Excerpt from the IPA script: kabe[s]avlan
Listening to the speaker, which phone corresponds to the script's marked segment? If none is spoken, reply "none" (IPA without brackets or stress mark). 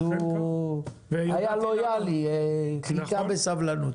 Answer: s